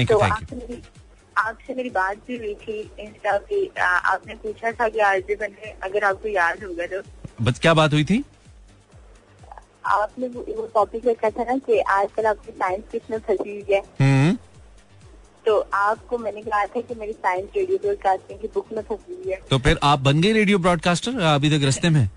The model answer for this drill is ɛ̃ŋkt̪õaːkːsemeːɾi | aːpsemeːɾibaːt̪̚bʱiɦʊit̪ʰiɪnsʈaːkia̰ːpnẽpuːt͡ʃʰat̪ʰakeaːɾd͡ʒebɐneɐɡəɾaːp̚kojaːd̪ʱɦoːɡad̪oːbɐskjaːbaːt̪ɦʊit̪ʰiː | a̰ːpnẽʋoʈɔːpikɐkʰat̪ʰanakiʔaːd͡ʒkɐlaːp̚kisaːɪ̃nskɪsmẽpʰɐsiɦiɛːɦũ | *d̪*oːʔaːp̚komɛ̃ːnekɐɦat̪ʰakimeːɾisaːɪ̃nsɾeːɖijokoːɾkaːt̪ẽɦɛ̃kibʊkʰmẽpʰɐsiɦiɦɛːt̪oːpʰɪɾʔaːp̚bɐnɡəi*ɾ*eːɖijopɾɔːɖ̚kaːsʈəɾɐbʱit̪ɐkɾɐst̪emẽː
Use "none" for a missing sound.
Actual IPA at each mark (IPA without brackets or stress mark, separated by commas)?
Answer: t̪, ɾ